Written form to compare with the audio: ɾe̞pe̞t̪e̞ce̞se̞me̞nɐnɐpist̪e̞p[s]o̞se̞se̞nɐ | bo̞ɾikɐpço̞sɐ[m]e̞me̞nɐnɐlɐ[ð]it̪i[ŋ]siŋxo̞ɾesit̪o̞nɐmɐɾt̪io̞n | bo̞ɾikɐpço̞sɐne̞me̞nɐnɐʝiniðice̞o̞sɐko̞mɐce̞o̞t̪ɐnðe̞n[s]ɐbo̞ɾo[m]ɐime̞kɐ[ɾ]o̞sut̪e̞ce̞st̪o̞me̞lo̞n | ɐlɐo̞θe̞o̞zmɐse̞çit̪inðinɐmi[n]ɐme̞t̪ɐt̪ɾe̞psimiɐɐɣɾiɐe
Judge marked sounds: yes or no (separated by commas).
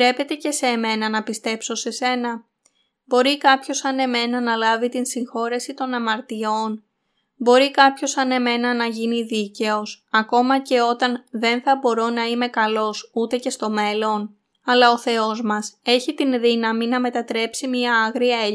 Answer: yes, no, no, no, no, no, no, yes